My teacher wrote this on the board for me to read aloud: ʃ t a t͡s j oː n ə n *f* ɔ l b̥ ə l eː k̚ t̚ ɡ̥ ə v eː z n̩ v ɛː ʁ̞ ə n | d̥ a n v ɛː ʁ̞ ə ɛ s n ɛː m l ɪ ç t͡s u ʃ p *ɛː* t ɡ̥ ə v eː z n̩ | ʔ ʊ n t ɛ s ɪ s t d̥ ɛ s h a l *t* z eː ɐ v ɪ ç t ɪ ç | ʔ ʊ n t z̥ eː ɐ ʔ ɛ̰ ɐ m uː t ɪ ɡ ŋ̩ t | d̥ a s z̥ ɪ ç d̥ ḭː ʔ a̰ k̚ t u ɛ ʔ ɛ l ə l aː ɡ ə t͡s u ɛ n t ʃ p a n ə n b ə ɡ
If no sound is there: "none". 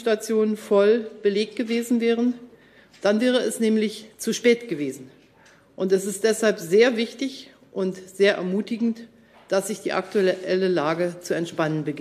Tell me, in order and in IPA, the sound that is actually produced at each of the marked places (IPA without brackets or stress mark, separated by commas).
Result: f, ɛː, p